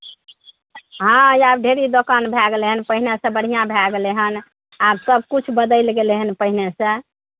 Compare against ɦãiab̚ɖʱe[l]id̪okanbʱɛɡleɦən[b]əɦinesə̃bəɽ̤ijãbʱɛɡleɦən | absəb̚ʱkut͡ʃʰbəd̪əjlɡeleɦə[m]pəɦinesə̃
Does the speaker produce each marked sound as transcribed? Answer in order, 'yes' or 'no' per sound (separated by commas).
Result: no, no, no